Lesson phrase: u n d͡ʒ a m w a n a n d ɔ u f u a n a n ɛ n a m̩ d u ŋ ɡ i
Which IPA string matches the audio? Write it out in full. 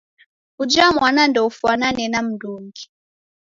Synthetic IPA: u d͡ʒ a m w a n a n d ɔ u f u a n a n ɛ n a m̩ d u ŋ ɡ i